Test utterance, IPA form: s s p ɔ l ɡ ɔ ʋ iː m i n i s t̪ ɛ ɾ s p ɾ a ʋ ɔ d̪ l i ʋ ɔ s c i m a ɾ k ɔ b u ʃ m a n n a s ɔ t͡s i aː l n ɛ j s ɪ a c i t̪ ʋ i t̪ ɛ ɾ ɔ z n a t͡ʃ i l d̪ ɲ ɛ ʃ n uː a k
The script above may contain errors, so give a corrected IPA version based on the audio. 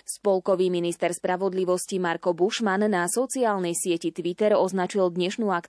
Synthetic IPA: s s p ɔ l k ɔ ʋ iː m i n i s t̪ ɛ ɾ s p ɾ a ʋ ɔ d̪ l i ʋ ɔ s c i m a ɾ k ɔ b u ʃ m a n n a s ɔ t͡s i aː l n ɛ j s ɪ ɛ c i t̪ ʋ i t̪ ɛ ɾ ɔ z n a t͡ʃ i l d̪ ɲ ɛ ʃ n uː a k